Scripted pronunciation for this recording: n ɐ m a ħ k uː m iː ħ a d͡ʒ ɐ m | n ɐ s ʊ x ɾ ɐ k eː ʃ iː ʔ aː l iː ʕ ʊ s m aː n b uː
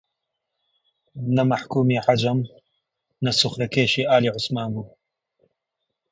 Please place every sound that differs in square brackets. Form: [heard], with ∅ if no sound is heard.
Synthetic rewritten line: n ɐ m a ħ k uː m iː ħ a d͡ʒ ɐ m | n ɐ s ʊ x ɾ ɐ k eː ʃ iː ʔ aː l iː ʕ ʊ s m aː n b uː